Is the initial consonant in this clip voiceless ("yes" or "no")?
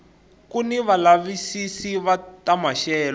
yes